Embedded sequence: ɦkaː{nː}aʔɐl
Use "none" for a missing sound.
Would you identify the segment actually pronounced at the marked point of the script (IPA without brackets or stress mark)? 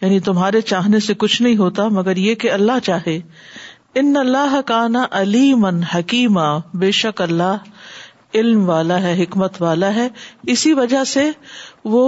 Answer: n